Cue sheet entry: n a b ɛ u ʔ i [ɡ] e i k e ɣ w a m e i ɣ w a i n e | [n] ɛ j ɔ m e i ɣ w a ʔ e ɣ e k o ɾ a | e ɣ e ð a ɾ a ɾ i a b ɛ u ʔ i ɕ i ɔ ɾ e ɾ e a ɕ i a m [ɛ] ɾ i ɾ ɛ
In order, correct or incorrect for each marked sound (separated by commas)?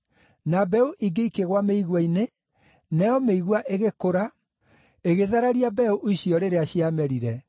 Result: correct, correct, correct